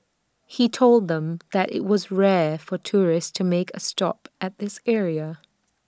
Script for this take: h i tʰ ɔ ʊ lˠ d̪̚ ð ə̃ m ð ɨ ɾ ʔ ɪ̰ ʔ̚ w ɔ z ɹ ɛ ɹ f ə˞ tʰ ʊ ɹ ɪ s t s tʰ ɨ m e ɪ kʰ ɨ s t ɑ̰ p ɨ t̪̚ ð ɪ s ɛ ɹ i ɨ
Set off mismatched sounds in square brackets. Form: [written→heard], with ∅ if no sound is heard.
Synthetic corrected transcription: h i tʰ [ɔ→o] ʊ lˠ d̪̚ ð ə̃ m ð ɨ ɾ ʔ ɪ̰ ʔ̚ w [ɔ→ʌ] z ɹ ɛ ɹ f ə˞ tʰ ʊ ɹ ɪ s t s tʰ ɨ m e ɪ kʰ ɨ s t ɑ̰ p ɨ t̪̚ ð ɪ s ɛ ɹ i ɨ

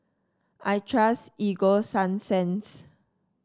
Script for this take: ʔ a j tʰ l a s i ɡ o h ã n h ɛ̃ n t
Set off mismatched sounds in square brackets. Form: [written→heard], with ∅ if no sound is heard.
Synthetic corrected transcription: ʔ a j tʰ [l→ɹ] a s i ɡ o [h→s] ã n [h→s] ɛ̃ n [t→s]

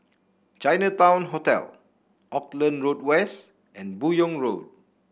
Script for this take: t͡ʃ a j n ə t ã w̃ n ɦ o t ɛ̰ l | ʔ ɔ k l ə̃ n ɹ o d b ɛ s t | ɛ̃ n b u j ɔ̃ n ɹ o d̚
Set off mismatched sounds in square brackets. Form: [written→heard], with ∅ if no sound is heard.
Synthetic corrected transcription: t͡ʃ a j n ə t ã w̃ n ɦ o t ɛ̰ l | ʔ ɔ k l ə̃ n ɹ o d [b→w] ɛ s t | ɛ̃ n b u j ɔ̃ [n→ŋ] ɹ o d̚

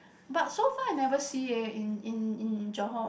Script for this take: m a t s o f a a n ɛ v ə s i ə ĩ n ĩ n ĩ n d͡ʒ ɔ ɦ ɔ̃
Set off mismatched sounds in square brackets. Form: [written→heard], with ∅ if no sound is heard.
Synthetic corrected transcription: [m→b] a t s o f a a n ɛ v ə s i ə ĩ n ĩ n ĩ n d͡ʒ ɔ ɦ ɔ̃

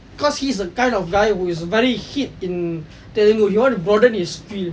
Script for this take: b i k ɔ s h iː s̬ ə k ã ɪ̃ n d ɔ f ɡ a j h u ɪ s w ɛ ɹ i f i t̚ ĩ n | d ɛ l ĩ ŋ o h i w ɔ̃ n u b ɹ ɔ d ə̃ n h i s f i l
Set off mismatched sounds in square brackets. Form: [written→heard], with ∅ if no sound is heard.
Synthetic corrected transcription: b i k ɔ s h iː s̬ ə k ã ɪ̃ n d ɔ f ɡ a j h u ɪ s [w→v] ɛ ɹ i [f→h] i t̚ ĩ n | [d→t] ɛ l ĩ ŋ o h i w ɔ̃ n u b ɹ ɔ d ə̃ n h i s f i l

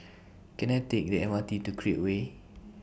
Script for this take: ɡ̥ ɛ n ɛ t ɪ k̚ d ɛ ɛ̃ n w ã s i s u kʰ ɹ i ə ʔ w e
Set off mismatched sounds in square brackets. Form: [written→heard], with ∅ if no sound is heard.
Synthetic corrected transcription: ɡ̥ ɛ n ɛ t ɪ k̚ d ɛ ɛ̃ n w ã [s→t] i [s→t] u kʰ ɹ i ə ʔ w e

